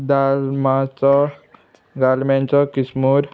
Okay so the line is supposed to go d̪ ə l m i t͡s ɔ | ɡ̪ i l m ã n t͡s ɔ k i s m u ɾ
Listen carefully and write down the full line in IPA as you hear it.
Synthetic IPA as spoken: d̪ a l m a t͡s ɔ | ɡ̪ a l m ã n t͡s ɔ k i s m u ɾ